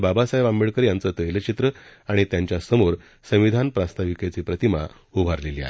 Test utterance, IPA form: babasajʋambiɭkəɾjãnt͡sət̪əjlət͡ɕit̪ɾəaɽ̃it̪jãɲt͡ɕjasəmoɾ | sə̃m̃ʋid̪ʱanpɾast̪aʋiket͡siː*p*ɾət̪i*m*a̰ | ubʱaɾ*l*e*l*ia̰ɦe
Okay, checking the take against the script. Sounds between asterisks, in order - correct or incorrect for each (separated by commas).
correct, correct, correct, correct